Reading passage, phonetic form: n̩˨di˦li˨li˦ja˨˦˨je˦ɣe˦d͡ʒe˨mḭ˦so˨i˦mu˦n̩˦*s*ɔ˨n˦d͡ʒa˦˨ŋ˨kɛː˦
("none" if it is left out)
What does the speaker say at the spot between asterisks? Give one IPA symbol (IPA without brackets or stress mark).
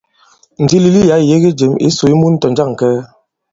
t